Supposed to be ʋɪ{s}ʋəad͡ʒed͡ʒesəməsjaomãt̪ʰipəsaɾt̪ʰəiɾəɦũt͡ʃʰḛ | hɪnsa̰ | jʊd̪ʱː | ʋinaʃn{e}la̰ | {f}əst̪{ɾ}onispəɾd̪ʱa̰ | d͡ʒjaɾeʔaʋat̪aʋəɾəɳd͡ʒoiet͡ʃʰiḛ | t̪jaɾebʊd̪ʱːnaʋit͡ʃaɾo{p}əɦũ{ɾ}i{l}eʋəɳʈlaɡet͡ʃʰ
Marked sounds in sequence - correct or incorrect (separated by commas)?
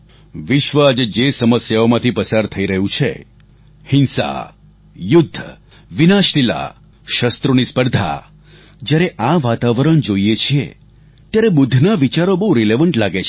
incorrect, incorrect, incorrect, correct, incorrect, correct, correct